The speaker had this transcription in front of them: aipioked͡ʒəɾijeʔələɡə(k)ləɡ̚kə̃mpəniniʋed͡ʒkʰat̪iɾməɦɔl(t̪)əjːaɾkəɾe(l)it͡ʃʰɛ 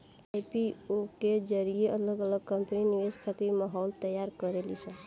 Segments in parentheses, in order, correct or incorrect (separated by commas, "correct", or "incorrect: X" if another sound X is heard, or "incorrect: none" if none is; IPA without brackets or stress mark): incorrect: none, correct, correct